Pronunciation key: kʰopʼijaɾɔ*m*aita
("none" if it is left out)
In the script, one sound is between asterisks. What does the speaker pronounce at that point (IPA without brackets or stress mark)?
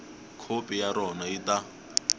n